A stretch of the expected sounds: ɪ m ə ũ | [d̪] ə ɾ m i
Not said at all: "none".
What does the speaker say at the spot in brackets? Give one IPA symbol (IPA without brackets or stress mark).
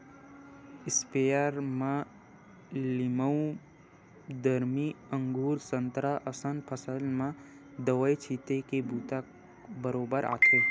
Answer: d̪